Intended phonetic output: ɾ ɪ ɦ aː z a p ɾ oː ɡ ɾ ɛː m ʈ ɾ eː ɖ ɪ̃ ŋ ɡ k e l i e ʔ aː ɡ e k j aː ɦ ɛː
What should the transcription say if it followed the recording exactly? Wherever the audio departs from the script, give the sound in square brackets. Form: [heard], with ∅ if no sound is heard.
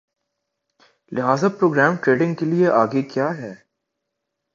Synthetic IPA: [l] ɪ ɦ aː z a p ɾ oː ɡ ɾ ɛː m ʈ ɾ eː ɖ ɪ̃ ŋ ɡ k e l i e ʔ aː ɡ e k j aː ɦ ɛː

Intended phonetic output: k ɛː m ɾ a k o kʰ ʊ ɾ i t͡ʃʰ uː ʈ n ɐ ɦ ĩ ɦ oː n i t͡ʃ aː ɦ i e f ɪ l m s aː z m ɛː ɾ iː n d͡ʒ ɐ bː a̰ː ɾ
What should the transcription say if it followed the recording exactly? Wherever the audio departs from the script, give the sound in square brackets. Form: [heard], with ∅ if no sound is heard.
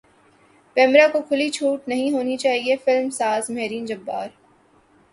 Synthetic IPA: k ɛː m ɾ a k o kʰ ʊ [l] i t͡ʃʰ uː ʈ n ɐ ɦ ĩ ɦ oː n i t͡ʃ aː ɦ i e f ɪ l m s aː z m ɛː ɾ iː n d͡ʒ ɐ bː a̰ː ɾ

